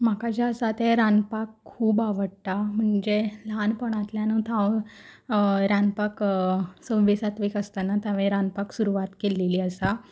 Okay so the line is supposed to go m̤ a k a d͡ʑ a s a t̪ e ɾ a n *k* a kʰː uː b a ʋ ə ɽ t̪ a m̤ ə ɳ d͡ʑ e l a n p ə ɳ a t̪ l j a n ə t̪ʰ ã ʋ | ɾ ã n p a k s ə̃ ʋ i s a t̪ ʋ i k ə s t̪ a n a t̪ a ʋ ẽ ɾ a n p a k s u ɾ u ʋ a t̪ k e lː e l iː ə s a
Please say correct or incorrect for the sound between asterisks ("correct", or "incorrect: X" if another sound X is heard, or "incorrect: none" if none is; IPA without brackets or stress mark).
incorrect: p